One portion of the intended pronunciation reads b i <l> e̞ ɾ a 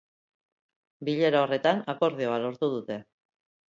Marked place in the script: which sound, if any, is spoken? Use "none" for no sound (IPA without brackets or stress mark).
ʎ